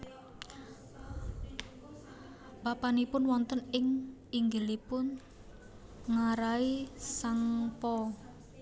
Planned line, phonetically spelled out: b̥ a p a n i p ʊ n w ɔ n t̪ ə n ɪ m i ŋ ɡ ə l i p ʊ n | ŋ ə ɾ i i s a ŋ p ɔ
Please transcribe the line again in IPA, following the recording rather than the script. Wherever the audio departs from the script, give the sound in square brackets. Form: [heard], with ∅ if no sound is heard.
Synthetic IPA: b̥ a p a n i p ʊ n w ɔ n t̪ ə n ɪ [ŋ] i ŋ ɡ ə l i p ʊ n | ŋ [a] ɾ [a] i s a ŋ p ɔ